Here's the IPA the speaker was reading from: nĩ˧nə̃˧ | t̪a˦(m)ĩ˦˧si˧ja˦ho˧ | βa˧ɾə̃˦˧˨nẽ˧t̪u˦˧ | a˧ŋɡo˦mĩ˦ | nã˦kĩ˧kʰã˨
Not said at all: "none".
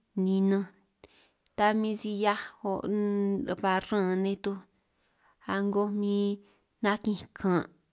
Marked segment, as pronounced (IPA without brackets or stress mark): m